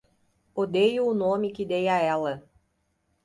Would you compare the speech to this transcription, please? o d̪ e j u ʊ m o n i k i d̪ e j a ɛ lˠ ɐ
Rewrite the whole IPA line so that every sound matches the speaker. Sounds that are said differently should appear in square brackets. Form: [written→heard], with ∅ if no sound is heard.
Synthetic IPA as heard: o d̪ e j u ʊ [m→n] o [n→m] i k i d̪ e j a ɛ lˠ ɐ

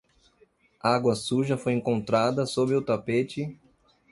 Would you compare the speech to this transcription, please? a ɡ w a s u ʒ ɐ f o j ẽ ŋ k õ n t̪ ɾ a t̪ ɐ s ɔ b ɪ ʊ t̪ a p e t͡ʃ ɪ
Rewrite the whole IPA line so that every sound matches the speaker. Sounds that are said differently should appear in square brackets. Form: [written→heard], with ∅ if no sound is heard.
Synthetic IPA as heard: a ɡ w [a→ɐ] s u ʒ ɐ f o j ẽ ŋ k õ n t̪ ɾ a [t̪→d̪] ɐ s [ɔ→o] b ɪ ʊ t̪ a p e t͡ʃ ɪ

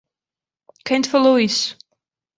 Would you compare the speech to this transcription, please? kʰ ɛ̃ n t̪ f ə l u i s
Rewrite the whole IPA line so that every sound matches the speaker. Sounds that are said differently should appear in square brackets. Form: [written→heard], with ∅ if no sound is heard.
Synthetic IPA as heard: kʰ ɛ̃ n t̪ f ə l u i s

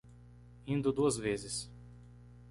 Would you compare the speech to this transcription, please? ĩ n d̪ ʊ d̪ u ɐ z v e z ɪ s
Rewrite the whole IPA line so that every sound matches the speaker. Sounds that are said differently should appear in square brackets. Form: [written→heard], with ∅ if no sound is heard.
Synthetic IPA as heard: ĩ n d̪ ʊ d̪ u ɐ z v e z ɪ s

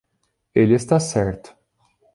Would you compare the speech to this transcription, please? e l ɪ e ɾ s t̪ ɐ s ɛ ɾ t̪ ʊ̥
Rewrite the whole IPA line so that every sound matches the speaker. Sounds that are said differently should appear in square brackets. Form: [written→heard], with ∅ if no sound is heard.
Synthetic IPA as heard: e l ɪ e [ɾ→∅] s t̪ [ɐ→a] s ɛ ɾ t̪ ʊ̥

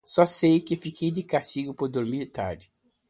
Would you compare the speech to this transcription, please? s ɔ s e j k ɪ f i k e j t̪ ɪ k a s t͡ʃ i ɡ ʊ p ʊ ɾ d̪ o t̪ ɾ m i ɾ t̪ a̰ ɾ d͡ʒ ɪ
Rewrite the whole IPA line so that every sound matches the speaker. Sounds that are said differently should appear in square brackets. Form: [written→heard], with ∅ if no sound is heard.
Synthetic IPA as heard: s ɔ s e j k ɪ f i k e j [t̪→d̪] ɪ k a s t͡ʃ i ɡ ʊ p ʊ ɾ d̪ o [t̪→∅] ɾ m i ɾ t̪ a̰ ɾ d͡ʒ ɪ

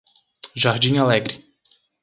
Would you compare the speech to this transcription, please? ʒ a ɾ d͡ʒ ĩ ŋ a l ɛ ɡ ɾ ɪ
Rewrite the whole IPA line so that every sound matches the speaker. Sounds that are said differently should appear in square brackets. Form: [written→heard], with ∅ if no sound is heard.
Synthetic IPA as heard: ʒ a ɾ d͡ʒ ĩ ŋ a l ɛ ɡ ɾ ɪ

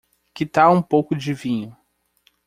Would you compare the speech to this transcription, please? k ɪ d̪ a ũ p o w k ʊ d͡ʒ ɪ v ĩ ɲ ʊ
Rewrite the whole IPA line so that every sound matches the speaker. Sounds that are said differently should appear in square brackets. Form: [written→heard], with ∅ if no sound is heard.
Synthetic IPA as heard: k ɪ [d̪→t̪] a ũ p o w k ʊ d͡ʒ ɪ v ĩ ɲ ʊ

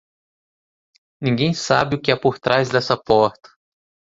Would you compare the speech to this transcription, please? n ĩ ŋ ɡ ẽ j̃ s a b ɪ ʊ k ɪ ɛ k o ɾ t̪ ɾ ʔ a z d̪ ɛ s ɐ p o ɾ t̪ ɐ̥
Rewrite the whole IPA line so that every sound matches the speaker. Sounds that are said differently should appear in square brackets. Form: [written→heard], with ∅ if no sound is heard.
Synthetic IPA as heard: n ĩ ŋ ɡ ẽ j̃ s a b ɪ ʊ k ɪ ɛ [k→p] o ɾ t̪ ɾ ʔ a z d̪ ɛ s ɐ p [o→ɔ] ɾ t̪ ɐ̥

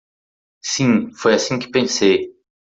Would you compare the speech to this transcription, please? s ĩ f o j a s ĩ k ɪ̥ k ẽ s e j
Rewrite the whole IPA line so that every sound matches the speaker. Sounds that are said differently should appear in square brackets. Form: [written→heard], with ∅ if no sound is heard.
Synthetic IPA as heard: s ĩ f o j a s ĩ k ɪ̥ [k→p] ẽ s e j

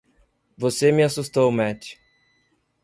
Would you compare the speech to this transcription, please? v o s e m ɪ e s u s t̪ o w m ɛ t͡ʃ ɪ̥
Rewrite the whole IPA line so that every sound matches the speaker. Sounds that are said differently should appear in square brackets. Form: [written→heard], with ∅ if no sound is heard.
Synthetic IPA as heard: v o s e m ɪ [e→a] s u s t̪ o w m ɛ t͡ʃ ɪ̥

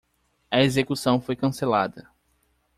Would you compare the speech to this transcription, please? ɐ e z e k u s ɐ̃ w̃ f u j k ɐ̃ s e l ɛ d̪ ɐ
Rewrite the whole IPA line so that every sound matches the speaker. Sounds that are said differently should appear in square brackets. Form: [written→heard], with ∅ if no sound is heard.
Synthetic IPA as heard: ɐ e z e k u s ɐ̃ w̃ f [u→o] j k ɐ̃ s e l [ɛ→a] d̪ ɐ

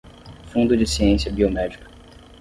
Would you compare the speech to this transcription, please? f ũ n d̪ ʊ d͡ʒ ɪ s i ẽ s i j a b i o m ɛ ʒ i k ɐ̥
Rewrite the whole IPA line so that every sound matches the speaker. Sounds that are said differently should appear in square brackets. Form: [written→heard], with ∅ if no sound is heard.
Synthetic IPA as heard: f ũ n d̪ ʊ d͡ʒ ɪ s i ẽ s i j [a→ɐ] b i o m ɛ [ʒ→d͡ʒ] i k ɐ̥

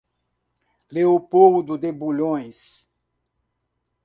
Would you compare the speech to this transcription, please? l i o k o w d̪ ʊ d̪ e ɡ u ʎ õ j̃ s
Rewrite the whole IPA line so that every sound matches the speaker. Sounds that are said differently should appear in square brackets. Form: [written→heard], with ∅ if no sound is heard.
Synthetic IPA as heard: l [i→e] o [k→p] o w d̪ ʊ d̪ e [ɡ→b] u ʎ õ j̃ s

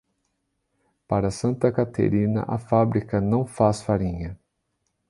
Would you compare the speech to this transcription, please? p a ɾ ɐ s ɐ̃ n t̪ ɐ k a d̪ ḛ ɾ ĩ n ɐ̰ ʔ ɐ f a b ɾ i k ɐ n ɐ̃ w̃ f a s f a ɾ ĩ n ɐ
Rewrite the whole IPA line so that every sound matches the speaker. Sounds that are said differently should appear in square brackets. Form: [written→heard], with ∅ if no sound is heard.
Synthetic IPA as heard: p a ɾ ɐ s ɐ̃ n t̪ ɐ k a [d̪→t̪] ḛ ɾ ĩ n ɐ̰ ʔ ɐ f a b ɾ i k ɐ n ɐ̃ w̃ f a s f a ɾ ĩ [n→ɲ] ɐ

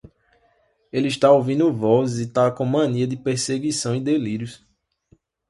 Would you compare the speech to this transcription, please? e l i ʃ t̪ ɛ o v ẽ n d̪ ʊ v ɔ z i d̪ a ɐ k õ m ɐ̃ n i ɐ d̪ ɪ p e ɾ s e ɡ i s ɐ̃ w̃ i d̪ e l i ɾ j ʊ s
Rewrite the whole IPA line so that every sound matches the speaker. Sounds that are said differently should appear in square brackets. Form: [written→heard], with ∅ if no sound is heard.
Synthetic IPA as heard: e l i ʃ t̪ [ɛ→a] o v [ẽ→ĩ] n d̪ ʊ v ɔ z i [d̪→t̪] a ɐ k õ m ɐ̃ n i ɐ d̪ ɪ p e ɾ s e ɡ i s ɐ̃ w̃ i d̪ e l i ɾ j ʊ s

